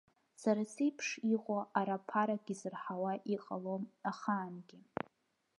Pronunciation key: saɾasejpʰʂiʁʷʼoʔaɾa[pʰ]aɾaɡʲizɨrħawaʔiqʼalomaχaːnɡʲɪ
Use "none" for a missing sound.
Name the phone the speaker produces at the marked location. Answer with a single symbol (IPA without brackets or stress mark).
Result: pʰ